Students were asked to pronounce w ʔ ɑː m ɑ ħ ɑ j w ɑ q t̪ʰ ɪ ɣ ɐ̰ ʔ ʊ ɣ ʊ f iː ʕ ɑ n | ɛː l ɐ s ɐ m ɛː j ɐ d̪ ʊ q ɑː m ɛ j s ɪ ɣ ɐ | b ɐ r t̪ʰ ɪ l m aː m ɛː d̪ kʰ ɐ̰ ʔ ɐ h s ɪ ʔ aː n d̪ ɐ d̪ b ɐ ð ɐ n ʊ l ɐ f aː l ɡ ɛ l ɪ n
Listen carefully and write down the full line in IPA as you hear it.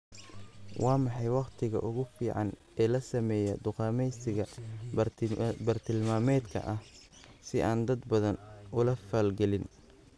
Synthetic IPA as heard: w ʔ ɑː m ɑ ħ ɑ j w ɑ q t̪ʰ ɪ ɣ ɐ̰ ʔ ʊ ɣ ʊ f iː ʕ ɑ n | ɛː l ɐ s ɐ m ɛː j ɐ d̪ ʊ q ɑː m ɛ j s ɪ ɣ ɐ | b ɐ r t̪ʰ ɪ l m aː m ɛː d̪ kʰ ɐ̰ ʔ ɐ h s ɪ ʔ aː n d̪ ɐ d̪ b ɐ ð ɐ n ʊ l ɐ f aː l ɡ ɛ l ɪ n